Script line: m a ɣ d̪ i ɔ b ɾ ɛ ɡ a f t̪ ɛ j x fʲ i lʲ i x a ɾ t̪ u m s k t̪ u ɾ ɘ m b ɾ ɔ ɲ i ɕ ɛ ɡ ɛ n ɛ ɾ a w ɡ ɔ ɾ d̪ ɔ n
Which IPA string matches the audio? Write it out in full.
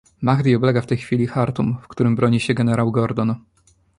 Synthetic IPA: m a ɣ d̪ i ɔ b l ɛ ɡ a f t̪ ɛ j x fʲ i lʲ i x a ɾ t̪ u m f k t̪ u ɾ ɘ m b ɾ ɔ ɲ i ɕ ɛ ɡ ɛ n ɛ ɾ a w ɡ ɔ ɾ d̪ ɔ n